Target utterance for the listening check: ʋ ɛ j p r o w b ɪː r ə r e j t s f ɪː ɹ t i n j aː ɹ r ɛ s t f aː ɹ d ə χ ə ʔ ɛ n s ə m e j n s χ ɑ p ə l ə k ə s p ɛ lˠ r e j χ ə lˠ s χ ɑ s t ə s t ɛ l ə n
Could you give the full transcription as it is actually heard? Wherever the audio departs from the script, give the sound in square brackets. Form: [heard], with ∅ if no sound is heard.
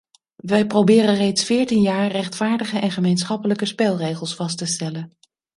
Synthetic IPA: ʋ ɛ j p r o w b ɪː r ə r e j t s f ɪː ɹ t i n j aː ɹ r ɛ [χ] t f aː ɹ d ə χ ə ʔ ɛ n [χ] ə m e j n s χ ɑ p ə l ə k ə s p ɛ lˠ r e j χ ə lˠ s [f] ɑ s t ə s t ɛ l ə n